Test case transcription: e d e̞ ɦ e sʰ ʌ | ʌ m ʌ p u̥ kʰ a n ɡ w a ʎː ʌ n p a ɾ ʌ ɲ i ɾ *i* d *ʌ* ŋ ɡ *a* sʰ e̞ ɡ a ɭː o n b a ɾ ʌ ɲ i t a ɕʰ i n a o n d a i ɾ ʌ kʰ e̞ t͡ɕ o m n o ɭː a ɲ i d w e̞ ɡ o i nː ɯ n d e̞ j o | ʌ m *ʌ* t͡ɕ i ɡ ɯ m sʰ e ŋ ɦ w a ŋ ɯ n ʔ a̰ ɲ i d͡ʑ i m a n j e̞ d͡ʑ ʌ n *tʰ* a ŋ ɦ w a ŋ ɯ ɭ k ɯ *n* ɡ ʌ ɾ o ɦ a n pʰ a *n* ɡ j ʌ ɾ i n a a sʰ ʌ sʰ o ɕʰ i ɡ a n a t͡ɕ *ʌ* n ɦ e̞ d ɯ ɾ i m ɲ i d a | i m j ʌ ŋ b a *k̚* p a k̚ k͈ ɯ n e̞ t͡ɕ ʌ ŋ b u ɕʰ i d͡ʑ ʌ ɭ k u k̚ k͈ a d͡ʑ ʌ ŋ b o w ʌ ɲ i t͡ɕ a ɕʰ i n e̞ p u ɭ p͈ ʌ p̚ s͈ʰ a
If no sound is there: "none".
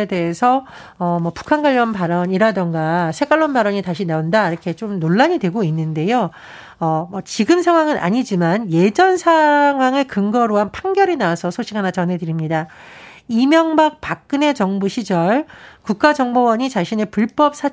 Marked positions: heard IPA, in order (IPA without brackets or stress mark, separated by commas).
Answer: a, ʌ, a, ʌ, sʰ, ŋ, ŋ, ʌ, k̚